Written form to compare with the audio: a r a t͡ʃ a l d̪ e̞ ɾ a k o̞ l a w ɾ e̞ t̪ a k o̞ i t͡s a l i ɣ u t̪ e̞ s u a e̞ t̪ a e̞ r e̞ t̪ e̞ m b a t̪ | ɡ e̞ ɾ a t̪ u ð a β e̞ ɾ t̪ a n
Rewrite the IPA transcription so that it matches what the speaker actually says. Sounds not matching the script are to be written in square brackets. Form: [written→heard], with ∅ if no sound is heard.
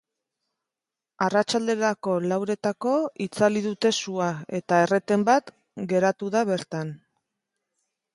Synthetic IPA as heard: a r a t͡ʃ a l d̪ e̞ ɾ a k o̞ l a w ɾ e̞ t̪ a k o̞ i t͡s a l i [ɣ→ð] u t̪ e̞ s u a e̞ t̪ a e̞ r e̞ t̪ e̞ m b a t̪ | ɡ e̞ ɾ a t̪ u ð a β e̞ ɾ t̪ a n